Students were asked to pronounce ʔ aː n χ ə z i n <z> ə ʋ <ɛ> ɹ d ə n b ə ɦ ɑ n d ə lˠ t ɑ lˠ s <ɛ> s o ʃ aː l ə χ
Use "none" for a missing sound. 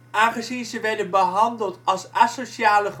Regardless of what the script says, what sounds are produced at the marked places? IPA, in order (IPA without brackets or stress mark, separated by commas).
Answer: z, ɛ, a